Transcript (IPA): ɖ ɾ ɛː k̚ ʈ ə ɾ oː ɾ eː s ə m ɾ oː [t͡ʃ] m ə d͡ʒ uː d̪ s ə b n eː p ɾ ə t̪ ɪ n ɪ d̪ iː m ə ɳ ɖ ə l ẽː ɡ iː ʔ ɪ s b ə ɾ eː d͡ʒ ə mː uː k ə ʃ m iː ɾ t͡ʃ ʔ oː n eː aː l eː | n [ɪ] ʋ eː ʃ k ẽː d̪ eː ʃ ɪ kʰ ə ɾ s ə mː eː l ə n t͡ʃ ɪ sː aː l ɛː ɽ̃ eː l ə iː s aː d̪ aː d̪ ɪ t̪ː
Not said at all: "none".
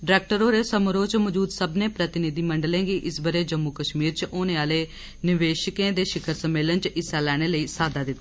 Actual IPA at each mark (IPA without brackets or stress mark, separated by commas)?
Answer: t͡ʃ, ɪ